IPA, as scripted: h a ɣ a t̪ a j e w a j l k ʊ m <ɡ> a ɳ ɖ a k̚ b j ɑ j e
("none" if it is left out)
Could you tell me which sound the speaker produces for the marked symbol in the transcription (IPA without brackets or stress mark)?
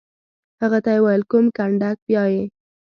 k